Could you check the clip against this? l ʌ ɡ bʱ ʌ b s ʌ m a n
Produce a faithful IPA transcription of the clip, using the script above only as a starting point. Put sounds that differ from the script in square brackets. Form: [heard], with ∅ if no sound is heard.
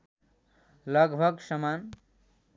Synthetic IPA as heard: l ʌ ɡ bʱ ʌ [ɡ] s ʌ m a n